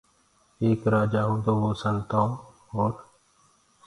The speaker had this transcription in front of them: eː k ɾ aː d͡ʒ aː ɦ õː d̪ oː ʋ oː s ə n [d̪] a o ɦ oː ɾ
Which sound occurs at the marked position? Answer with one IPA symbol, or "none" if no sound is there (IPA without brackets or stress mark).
t̪